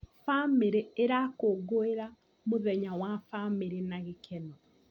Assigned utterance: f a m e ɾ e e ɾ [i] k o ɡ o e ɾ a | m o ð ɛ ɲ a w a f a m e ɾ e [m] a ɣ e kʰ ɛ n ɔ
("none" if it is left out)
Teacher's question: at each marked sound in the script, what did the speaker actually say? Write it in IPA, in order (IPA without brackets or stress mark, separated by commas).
a, n